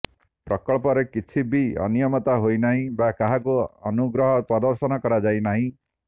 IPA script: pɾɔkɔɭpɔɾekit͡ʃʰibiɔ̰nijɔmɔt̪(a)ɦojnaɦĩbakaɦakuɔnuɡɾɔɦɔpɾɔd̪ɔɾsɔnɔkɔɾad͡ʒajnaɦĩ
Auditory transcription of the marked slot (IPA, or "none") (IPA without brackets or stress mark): a